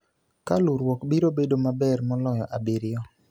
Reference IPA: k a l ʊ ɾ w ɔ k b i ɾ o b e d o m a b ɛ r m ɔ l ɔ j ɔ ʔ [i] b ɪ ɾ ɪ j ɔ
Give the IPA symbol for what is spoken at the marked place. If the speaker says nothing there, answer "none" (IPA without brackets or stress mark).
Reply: a